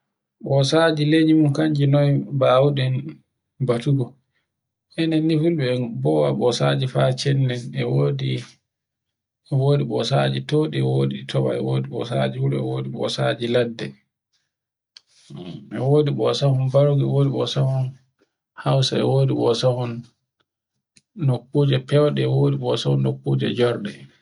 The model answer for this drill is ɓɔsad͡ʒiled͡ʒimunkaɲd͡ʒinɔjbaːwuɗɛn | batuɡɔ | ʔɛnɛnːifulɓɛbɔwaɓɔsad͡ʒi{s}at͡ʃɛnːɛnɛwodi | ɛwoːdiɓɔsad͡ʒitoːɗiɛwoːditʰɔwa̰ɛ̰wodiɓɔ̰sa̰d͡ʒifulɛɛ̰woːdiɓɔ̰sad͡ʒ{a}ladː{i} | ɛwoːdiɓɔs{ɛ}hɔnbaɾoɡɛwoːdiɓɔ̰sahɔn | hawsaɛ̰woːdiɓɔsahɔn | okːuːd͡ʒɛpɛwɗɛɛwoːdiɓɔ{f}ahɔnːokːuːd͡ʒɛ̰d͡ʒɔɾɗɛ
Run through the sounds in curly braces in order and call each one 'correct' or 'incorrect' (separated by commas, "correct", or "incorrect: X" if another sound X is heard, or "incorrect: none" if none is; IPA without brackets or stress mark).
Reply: incorrect: f, incorrect: i, incorrect: ɛ, incorrect: a, incorrect: s